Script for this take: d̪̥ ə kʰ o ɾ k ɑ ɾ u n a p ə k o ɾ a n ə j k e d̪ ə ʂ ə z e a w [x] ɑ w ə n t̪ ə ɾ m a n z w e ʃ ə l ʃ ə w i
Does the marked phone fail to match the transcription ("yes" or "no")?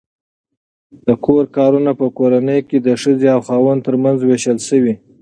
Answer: no